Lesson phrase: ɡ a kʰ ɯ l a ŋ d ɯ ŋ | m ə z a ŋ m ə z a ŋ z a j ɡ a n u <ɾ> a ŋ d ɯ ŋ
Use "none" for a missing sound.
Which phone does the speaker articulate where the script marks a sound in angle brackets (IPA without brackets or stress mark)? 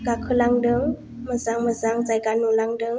l